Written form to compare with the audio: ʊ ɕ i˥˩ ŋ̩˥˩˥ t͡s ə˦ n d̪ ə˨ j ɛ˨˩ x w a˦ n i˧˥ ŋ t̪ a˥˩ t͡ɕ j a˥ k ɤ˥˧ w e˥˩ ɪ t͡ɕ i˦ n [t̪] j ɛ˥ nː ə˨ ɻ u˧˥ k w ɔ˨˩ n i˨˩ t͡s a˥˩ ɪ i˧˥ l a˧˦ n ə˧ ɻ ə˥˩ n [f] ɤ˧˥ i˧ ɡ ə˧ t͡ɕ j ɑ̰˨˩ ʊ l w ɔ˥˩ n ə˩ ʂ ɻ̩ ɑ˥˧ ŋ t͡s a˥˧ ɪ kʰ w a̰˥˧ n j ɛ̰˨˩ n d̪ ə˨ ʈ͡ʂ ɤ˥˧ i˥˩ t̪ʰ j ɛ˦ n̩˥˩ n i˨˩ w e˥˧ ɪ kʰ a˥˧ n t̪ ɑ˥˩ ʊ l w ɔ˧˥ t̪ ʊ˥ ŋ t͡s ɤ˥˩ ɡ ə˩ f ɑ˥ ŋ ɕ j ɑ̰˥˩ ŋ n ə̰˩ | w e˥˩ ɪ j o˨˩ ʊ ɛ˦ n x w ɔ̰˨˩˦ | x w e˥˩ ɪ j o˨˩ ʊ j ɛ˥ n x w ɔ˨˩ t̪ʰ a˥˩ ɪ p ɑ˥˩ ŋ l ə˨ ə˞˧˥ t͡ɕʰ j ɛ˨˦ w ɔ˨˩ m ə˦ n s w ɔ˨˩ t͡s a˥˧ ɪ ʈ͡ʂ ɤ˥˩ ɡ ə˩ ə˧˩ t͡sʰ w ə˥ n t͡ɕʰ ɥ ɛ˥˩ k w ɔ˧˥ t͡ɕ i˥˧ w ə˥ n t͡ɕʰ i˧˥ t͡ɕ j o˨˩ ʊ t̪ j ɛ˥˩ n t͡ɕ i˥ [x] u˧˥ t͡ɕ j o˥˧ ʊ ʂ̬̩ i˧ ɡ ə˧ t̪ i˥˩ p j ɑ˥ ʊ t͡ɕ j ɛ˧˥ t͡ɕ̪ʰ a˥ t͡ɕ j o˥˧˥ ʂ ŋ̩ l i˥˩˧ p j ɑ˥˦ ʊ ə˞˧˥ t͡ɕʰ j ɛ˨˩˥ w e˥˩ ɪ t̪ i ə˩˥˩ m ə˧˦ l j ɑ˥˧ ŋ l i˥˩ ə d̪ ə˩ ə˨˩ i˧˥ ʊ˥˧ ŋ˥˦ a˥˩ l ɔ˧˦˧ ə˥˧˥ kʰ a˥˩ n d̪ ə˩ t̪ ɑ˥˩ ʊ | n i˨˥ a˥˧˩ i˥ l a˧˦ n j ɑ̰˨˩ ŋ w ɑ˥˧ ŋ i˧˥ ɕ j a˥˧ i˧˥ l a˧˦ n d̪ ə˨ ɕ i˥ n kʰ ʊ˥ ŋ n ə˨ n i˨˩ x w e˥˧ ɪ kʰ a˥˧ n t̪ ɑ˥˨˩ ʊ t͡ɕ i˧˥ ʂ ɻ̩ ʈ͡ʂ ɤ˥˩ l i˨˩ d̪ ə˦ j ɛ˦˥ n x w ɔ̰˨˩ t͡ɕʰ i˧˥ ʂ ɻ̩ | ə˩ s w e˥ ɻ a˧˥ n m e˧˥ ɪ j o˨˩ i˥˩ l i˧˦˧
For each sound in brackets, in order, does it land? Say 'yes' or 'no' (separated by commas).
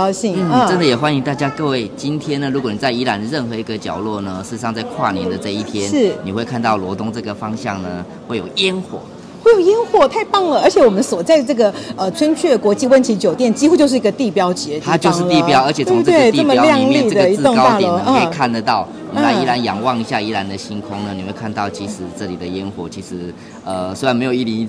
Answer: no, no, yes